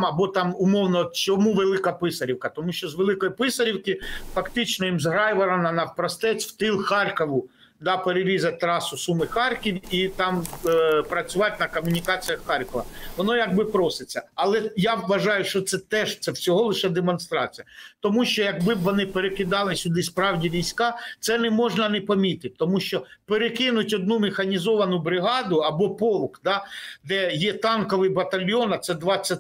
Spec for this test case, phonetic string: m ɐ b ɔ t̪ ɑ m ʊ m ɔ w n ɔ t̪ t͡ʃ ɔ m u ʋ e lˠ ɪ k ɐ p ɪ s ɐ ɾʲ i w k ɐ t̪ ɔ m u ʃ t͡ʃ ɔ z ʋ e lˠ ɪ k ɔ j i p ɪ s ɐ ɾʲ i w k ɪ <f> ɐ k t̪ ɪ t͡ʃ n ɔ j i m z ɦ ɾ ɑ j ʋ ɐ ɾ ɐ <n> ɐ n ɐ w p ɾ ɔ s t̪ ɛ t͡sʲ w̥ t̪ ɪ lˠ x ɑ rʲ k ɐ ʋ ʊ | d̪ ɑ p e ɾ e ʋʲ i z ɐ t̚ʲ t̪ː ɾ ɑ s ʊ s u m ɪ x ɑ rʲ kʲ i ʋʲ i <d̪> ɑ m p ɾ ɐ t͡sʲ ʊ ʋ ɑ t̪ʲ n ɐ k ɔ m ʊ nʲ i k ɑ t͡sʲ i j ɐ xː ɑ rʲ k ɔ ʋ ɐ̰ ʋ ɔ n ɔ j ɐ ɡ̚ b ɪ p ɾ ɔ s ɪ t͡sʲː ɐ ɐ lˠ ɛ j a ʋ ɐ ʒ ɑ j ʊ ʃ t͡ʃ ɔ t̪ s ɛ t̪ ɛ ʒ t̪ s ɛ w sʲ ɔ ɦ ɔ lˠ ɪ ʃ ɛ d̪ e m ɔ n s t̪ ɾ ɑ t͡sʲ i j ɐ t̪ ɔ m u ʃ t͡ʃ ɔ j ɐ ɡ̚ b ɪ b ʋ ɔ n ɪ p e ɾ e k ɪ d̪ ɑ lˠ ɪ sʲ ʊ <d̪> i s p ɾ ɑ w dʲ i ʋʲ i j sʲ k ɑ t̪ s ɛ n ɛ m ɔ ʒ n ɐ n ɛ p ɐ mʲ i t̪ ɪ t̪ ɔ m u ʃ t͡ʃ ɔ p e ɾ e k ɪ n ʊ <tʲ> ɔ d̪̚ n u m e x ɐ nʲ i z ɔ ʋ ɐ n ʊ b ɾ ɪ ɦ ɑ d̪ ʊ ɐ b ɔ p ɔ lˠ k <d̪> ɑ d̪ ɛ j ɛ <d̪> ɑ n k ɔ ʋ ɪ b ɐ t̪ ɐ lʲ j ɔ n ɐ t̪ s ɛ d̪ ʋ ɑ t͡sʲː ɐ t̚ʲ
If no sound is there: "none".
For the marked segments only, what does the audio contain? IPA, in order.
f, n, t̪, d̪, tʲ, d̪, t̪

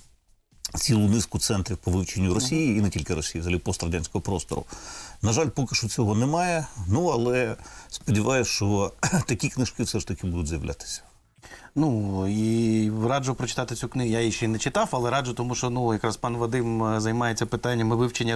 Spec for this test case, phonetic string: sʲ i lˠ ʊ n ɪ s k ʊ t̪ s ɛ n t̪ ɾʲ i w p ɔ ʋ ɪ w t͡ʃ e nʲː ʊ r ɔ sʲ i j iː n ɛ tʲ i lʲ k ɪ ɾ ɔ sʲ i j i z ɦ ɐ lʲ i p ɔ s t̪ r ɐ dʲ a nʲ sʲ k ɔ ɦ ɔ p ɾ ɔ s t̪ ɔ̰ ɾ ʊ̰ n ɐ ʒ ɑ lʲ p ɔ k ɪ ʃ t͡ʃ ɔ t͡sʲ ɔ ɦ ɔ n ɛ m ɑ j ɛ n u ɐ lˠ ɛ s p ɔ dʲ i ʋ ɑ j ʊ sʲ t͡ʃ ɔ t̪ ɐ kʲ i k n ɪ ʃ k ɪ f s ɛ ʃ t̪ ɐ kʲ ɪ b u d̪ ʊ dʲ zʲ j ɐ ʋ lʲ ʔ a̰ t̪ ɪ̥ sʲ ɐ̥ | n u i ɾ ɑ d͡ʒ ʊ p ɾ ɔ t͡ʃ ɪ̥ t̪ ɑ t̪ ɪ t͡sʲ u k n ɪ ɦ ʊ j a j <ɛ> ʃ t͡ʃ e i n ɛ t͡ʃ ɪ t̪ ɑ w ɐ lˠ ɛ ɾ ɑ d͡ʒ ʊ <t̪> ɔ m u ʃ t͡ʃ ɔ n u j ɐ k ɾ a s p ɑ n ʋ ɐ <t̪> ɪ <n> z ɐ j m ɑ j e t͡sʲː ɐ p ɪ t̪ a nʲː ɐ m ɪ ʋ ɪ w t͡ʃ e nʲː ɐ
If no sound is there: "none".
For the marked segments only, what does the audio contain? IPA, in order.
i, t̪, d̪, m

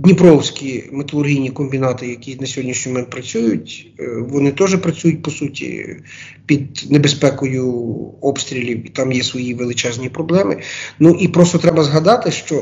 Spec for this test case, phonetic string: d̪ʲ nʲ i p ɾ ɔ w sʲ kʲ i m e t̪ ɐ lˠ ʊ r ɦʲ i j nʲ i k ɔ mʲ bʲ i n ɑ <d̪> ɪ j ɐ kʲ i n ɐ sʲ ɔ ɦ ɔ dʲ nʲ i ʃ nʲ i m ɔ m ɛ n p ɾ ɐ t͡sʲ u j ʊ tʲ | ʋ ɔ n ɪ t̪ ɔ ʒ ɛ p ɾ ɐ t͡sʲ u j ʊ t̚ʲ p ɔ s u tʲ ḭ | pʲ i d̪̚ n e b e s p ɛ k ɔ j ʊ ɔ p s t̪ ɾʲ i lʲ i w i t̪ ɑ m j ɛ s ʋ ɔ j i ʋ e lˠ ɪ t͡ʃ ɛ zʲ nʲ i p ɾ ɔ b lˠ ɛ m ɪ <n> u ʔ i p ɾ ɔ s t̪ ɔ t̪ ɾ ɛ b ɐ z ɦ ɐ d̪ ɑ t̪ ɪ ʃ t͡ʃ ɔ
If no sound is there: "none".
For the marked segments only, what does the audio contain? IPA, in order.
t̪, n

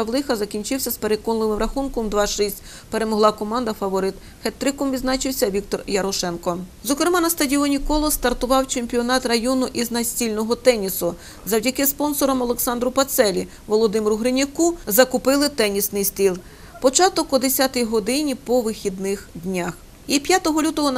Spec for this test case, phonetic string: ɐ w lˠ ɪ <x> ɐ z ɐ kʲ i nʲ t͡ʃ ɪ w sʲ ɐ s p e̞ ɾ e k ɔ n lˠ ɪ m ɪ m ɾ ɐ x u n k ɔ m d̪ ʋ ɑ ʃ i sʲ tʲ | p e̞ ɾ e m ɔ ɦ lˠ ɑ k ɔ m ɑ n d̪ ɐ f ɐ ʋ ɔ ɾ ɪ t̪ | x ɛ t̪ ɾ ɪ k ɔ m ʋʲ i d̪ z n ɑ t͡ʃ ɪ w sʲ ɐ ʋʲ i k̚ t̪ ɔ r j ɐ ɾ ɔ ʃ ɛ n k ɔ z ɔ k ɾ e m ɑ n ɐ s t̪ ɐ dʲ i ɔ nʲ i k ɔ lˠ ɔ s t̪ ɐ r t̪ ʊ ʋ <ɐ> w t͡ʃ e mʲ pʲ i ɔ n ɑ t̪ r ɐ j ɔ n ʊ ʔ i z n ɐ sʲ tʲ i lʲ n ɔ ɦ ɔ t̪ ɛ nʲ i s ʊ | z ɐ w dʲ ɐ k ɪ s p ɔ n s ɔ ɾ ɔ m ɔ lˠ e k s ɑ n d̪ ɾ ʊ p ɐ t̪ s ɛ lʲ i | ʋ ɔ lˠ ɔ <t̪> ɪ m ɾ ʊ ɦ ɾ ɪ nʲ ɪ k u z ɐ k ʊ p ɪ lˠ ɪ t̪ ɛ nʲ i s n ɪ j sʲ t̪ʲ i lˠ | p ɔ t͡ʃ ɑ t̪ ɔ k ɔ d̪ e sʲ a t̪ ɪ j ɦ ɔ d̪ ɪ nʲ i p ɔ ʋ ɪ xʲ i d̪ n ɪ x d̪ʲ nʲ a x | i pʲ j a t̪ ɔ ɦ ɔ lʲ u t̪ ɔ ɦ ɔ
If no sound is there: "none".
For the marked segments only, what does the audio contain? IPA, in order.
x, ɑ, d̪

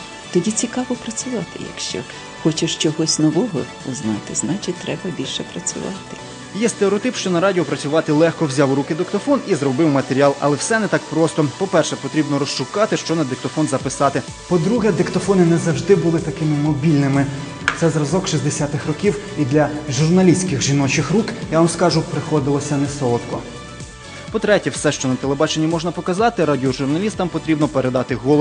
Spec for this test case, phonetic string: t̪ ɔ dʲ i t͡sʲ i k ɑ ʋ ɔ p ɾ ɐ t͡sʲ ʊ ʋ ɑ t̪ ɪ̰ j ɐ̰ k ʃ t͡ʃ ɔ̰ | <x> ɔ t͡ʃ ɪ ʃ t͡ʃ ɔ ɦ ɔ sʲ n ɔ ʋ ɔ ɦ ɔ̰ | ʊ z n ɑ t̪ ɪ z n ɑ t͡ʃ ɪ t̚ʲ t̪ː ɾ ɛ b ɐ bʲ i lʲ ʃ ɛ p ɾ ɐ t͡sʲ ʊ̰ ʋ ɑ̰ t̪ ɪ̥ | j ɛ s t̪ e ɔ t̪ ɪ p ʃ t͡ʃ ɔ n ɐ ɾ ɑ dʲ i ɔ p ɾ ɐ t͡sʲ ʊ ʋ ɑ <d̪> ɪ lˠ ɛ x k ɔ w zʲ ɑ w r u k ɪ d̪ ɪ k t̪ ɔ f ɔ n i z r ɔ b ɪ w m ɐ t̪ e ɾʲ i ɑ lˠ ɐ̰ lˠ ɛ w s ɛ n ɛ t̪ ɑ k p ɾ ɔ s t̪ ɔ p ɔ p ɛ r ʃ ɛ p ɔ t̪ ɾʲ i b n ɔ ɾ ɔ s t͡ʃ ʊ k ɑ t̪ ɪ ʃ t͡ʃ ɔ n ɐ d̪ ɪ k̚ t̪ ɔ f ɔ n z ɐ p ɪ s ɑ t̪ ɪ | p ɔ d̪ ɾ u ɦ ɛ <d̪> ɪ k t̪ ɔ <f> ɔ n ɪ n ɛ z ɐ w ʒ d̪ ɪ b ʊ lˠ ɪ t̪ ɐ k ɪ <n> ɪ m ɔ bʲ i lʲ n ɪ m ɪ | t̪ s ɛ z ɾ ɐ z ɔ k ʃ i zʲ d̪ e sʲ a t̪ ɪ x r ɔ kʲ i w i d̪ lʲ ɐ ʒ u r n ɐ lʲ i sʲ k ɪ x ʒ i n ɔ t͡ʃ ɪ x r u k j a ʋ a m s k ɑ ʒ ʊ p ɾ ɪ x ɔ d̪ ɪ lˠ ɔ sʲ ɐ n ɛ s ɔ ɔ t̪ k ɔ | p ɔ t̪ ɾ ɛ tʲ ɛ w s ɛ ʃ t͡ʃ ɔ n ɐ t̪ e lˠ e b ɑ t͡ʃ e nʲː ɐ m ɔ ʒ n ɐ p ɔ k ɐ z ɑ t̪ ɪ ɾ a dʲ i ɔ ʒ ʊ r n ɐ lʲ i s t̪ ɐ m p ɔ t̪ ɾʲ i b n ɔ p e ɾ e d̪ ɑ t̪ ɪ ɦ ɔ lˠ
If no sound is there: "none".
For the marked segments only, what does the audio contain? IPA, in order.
x, t̪, d̪, f, m

